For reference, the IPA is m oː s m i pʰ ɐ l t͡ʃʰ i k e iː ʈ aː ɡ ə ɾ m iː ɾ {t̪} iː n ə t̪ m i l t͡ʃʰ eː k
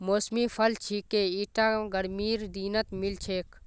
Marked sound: incorrect: d̪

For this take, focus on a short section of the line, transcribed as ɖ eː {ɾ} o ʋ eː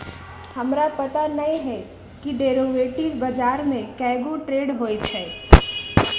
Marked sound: correct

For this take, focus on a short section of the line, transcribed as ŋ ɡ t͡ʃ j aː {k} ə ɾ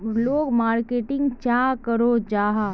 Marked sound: correct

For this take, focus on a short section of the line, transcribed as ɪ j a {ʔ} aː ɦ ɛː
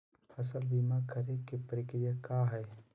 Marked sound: incorrect: k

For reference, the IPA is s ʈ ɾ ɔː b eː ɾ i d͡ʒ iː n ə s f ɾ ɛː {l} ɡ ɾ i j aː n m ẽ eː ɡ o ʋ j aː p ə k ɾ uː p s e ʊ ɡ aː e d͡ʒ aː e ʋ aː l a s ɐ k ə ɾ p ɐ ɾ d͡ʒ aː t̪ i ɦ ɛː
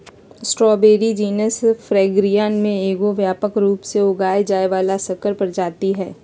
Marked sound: incorrect: none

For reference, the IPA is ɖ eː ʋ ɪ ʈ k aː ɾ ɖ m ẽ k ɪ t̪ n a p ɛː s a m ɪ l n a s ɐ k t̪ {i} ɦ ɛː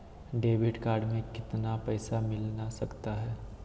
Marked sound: incorrect: a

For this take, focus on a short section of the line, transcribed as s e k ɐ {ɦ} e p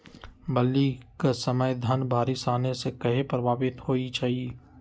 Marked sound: correct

